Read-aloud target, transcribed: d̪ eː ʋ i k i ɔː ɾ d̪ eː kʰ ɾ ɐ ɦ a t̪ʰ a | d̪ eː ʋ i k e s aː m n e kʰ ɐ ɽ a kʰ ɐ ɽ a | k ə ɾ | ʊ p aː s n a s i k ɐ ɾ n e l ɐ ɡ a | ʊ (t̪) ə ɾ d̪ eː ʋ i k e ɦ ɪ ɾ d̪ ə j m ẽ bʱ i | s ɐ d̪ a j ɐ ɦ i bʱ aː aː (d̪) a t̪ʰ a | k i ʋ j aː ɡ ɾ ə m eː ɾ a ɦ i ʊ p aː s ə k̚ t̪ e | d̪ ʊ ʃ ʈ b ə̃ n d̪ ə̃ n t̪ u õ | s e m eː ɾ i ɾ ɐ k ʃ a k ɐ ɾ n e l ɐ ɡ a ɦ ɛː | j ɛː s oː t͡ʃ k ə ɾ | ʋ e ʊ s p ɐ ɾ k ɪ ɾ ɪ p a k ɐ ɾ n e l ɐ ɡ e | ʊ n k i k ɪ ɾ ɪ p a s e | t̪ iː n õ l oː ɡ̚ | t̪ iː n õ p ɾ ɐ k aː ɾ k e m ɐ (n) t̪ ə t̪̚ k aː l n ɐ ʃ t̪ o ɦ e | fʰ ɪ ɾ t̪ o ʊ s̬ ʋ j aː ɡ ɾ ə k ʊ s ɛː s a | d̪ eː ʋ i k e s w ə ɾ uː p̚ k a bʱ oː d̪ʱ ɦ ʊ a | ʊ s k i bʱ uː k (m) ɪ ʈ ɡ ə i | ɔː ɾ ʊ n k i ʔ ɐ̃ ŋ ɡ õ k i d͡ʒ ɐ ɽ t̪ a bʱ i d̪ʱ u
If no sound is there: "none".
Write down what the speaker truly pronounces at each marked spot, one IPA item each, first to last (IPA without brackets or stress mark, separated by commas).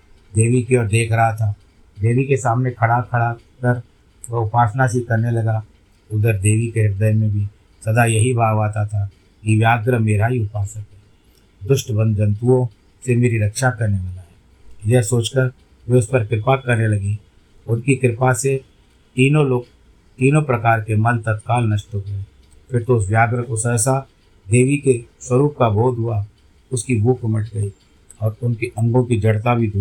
d̪, t̪, n, m